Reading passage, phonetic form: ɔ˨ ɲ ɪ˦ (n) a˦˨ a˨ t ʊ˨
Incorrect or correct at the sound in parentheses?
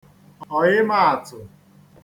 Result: incorrect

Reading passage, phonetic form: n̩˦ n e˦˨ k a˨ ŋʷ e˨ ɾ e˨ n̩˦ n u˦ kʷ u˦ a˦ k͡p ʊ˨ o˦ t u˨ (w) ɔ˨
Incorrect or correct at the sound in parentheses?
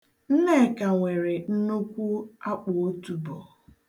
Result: incorrect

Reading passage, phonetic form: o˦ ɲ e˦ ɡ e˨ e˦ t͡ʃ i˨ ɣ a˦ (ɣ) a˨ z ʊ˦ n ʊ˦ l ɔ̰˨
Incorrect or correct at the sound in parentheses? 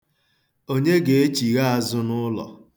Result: incorrect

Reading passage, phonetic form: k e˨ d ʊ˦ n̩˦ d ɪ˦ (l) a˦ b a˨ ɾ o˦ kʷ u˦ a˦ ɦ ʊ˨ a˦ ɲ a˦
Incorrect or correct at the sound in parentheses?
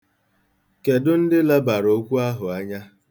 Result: correct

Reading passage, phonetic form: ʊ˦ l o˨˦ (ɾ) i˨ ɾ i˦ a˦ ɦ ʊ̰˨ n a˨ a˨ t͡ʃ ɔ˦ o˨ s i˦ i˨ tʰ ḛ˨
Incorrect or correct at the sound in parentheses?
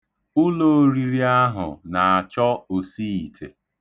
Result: correct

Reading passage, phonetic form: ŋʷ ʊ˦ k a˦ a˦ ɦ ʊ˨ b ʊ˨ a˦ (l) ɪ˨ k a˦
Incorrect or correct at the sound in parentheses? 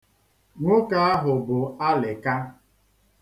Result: correct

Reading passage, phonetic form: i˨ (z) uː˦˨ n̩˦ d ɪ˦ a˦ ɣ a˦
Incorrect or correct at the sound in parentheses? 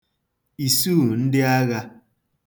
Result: incorrect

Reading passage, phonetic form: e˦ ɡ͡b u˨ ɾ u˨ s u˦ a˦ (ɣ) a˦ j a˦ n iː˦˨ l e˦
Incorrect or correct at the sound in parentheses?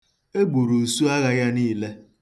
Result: correct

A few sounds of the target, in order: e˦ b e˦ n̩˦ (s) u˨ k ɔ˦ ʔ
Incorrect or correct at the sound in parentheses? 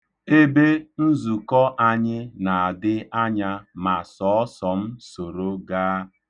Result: incorrect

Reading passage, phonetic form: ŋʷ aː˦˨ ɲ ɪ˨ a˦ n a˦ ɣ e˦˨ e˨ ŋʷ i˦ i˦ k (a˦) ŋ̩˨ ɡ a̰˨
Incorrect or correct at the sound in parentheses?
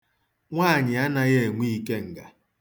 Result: incorrect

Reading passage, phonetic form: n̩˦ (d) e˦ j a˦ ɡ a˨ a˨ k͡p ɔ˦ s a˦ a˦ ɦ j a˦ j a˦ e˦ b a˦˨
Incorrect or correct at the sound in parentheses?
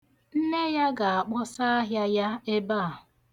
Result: incorrect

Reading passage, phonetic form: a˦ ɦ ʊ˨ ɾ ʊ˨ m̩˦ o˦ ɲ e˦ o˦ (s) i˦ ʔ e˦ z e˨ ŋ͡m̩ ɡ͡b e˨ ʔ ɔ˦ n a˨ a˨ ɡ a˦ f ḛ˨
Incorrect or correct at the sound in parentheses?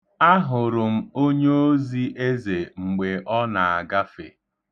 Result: incorrect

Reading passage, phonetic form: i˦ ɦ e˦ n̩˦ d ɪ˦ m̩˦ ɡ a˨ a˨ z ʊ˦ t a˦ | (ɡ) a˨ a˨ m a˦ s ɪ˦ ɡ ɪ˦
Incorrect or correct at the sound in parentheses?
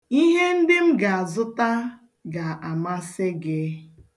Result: correct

